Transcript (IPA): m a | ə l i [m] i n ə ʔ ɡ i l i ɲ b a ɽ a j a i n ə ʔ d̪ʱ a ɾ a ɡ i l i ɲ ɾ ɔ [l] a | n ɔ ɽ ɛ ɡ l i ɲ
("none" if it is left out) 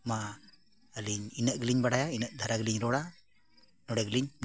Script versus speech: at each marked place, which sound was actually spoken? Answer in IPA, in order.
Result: ɲ, ɽ

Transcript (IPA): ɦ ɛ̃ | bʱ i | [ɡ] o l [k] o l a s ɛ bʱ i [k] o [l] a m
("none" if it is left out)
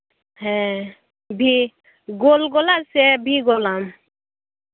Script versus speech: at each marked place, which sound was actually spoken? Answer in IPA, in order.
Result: ɡ, ɡ, ɡ, l

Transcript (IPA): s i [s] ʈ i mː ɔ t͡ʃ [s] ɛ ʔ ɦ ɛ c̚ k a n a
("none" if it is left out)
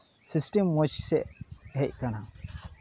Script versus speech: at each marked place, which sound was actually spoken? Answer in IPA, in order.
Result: s, s

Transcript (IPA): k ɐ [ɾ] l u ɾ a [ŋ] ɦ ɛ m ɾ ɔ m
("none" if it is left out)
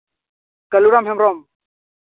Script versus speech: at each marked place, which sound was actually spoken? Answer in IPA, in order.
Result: none, m

